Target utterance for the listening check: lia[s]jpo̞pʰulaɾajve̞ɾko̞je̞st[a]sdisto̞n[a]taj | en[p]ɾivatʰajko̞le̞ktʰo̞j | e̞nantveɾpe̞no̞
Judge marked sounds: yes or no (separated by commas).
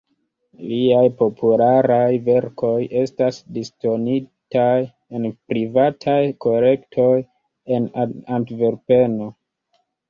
no, yes, no, yes